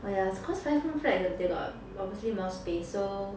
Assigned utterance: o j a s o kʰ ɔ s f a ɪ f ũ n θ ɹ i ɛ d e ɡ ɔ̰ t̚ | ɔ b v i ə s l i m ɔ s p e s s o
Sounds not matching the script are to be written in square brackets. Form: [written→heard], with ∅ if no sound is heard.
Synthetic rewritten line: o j a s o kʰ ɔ s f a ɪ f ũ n [θ→f] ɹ [i→ɛ] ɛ d e ɡ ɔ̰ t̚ | ɔ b v i ə s l i m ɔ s p e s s o

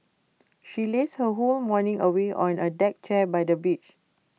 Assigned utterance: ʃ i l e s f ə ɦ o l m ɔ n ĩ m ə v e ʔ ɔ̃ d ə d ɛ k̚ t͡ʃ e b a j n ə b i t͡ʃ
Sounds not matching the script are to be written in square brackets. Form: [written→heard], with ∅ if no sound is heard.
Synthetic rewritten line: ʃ i l e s [f→h] ə ɦ o l m ɔ n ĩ [m→ŋ] ə [v→w] e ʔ ɔ̃ [d→n] ə d ɛ k̚ t͡ʃ [e→ɛ] b a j [n→d] ə b i t͡ʃ

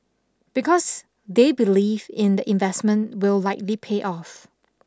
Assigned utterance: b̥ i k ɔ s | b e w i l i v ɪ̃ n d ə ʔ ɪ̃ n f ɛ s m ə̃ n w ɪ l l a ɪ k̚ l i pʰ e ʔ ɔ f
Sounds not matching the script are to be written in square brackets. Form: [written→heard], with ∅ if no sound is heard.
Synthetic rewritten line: b̥ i k ɔ s | [b→d] e [w→b] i l i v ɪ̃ n d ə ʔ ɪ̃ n [f→v] ɛ s m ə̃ n w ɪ l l a ɪ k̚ l i pʰ e ʔ ɔ f

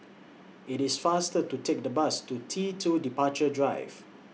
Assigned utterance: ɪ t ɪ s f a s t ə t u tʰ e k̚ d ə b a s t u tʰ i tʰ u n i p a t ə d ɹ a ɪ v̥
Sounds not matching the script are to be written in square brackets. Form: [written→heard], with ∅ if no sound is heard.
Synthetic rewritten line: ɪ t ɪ s f a s t ə t u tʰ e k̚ d ə b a s t u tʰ i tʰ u [n→d] i p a [t→t͡ʃ] ə d ɹ a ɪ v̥

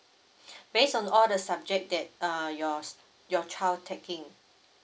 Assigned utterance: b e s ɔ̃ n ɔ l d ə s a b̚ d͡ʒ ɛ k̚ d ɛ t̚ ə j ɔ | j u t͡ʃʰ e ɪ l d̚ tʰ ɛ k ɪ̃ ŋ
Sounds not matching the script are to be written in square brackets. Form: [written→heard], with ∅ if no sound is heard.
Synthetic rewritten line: b e s ɔ̃ n ɔ l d ə s a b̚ d͡ʒ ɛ k̚ d ɛ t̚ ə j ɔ | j [u→ɔ] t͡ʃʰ [e→a] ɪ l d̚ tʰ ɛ k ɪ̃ ŋ

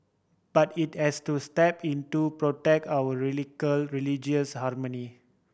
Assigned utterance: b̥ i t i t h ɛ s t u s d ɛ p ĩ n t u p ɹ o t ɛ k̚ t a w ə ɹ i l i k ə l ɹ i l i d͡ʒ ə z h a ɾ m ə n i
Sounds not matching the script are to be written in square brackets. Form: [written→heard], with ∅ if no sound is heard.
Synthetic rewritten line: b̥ [i→a] t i t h ɛ s t u s [d→t] ɛ p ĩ n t u p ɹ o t ɛ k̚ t a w ə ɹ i l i k ə l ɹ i l i d͡ʒ ə [z→s] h a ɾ m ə n i

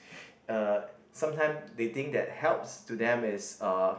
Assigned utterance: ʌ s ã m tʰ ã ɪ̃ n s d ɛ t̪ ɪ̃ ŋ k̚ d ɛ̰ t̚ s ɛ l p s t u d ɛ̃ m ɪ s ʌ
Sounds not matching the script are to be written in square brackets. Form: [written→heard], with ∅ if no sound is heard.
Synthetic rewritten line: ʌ s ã m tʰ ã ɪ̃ [n→m] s d [ɛ→e] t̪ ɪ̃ ŋ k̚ d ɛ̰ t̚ [s→h] ɛ l p s t u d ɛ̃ m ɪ s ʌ

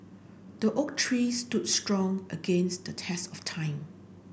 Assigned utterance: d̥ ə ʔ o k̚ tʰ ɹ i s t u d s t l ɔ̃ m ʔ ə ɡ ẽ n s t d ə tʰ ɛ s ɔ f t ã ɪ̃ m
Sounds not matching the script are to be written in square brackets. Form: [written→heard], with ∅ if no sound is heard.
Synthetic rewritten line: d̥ ə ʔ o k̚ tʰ ɹ i s t u d s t [l→ɹ] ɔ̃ [m→ŋ] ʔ ə ɡ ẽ n s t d ə tʰ ɛ s ɔ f [t→tʰ] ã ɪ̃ m

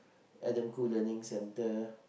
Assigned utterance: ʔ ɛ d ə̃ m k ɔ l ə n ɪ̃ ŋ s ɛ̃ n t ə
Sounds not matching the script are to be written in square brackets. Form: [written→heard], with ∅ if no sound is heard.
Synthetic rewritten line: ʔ ɛ d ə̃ m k [ɔ→u] l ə n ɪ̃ ŋ s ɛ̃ n t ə

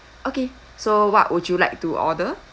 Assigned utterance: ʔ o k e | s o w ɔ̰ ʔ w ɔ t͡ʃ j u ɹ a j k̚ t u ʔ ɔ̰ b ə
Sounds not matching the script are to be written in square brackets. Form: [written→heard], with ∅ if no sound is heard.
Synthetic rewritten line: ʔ o k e | s o w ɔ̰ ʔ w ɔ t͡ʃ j u [ɹ→l] a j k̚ t u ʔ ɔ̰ [b→d] ə

